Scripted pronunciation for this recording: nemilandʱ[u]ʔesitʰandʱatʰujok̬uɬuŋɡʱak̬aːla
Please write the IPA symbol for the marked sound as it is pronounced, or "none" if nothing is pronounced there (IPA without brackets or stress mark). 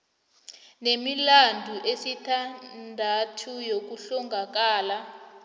u